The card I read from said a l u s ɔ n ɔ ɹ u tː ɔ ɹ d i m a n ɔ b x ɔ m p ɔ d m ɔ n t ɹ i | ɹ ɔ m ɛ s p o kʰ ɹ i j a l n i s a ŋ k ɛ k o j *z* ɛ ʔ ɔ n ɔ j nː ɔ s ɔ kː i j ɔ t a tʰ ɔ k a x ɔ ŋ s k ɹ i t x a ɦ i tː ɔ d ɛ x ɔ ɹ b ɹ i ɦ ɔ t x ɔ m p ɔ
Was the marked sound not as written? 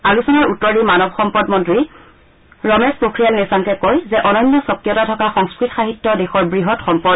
no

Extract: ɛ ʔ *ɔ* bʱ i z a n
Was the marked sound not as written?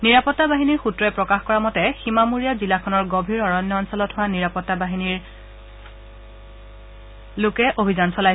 yes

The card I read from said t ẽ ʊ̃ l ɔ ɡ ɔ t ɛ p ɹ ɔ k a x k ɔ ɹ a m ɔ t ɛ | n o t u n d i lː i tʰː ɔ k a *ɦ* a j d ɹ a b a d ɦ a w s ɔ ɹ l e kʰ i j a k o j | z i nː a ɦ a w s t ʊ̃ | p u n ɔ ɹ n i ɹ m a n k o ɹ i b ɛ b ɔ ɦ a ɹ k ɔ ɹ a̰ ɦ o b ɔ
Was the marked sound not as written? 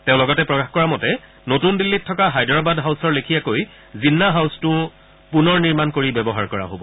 no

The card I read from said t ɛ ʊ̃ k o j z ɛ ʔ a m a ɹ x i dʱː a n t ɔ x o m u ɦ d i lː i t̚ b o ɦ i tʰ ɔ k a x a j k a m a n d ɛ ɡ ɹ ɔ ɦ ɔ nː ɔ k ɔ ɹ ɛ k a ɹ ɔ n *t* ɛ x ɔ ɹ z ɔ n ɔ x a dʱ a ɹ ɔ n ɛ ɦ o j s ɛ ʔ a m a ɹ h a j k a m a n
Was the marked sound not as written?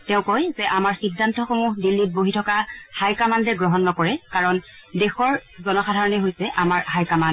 yes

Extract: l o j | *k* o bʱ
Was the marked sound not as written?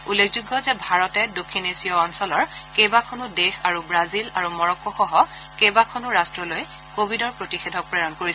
no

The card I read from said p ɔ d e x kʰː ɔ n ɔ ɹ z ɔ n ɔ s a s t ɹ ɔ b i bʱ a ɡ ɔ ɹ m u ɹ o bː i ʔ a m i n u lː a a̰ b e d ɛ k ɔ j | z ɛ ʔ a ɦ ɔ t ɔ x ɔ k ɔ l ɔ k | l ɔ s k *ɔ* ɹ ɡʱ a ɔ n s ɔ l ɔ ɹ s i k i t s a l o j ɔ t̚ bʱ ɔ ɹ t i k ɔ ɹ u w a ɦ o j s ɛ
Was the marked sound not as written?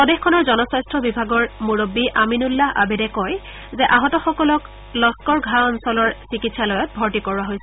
no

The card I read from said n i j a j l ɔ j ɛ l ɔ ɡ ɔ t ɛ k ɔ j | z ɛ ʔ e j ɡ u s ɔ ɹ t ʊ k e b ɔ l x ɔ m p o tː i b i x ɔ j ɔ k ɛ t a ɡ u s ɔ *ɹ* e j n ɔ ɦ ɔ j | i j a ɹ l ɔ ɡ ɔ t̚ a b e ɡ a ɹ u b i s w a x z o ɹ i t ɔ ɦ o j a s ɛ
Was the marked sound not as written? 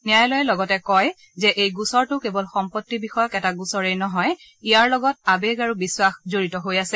no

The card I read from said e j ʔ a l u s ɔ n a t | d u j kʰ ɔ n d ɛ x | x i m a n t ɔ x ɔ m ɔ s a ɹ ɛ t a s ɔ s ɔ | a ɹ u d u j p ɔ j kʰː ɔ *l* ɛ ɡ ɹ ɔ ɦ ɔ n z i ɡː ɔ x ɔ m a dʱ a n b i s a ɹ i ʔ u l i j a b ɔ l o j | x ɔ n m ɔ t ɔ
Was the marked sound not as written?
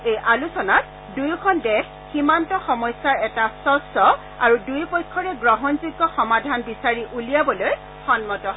yes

